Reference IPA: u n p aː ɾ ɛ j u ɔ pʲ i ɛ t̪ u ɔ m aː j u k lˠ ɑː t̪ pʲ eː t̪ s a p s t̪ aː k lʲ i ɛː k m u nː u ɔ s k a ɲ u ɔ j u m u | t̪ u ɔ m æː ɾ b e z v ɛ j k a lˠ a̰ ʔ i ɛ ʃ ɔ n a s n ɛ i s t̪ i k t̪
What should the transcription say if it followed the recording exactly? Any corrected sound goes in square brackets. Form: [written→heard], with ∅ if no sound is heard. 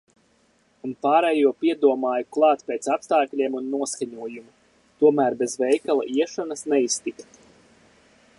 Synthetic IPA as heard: u n p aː ɾ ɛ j u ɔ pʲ i ɛ [t̪→d̪] u ɔ m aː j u k lˠ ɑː t̪ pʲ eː t̪ s a p s t̪ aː k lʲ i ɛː [k→∅] m u nː u ɔ s k a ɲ u ɔ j u m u | t̪ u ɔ m æː ɾ b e z v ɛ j k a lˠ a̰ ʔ i ɛ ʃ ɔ n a s n ɛ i s t̪ i k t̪